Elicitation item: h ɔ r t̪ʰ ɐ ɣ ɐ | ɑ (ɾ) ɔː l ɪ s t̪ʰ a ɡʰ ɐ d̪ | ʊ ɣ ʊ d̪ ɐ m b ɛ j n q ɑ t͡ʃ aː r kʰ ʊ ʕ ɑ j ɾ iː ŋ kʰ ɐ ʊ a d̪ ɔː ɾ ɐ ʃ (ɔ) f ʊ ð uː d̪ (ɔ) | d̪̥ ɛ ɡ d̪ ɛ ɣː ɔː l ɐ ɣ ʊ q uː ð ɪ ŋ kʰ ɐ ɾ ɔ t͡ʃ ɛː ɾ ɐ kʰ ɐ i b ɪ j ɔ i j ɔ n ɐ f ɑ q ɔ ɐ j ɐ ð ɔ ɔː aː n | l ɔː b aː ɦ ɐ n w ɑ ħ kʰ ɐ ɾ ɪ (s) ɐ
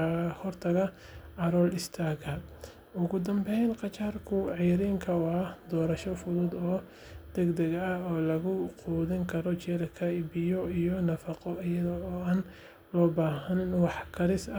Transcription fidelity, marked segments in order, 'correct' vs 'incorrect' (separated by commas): correct, correct, incorrect, correct